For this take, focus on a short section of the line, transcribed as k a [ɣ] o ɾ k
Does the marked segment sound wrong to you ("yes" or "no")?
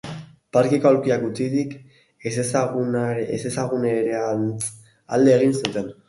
yes